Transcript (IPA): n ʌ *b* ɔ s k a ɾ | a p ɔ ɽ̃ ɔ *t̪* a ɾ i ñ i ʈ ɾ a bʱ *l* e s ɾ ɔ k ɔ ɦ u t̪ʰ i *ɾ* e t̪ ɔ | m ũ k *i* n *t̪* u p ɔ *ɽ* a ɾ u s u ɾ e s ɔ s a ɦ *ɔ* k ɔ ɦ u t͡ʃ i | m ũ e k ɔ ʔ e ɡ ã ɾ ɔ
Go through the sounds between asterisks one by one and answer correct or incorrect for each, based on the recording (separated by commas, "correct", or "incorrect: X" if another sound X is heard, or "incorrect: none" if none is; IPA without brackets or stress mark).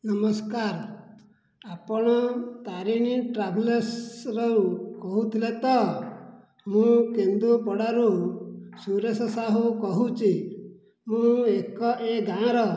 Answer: incorrect: m, correct, correct, incorrect: l, incorrect: e, incorrect: d̪, correct, incorrect: u